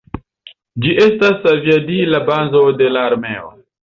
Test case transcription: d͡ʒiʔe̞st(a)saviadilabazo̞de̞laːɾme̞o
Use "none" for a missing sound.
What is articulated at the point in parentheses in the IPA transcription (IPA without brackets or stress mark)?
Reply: a